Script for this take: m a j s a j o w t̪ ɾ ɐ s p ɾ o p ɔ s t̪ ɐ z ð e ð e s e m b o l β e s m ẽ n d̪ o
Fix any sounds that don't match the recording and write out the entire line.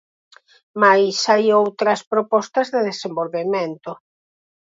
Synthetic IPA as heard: m a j s a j o w t̪ ɾ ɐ s p ɾ o p ɔ s t̪ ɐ z ð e ð e s e m b o l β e m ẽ n t̪ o